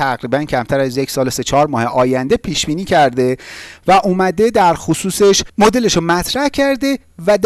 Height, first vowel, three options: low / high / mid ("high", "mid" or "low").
low